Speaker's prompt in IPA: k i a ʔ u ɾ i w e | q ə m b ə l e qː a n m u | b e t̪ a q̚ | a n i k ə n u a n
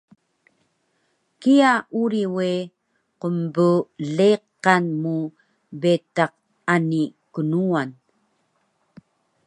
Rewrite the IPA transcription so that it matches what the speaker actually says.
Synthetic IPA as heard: k i a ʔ u ɾ i w e | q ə m b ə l e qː a n m u | b e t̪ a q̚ | a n i k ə n u a n

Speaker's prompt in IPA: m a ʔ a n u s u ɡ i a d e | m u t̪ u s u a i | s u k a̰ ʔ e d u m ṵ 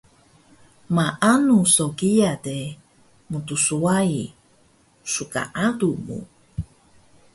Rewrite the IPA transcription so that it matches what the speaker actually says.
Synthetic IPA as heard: m a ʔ a n u s o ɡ i a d e | m u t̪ u s u a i | s u k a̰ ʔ a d u m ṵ

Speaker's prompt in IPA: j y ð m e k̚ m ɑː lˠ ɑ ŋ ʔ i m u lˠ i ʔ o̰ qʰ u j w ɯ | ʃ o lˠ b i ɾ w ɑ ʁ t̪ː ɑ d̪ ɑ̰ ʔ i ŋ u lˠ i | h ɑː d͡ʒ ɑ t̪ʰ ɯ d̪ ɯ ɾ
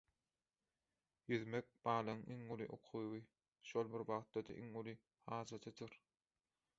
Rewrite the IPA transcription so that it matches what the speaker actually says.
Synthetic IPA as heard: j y ð m e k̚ b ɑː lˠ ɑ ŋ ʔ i ŋ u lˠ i ʔ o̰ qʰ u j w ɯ | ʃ o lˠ b i ɾ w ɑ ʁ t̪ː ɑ d̪ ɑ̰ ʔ i ŋ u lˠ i | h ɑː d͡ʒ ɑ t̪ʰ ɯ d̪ ɯ ɾ

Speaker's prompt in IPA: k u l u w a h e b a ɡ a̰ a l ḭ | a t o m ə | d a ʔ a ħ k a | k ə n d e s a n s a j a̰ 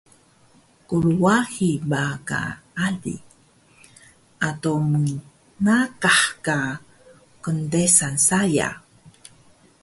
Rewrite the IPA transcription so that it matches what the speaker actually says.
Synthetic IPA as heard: k u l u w a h i b a k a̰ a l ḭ | a t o m ə | n a k a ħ k a | k ə n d e s a n s a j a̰

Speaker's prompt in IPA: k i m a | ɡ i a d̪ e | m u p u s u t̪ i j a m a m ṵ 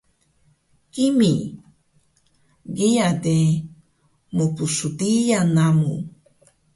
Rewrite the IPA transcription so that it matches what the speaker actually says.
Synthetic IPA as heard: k i m i | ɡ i a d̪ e | m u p u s u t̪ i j a n a m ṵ

